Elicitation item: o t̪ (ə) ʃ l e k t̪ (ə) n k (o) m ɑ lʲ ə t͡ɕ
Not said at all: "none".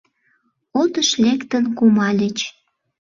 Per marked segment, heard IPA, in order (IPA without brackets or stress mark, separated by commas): ə, ə, u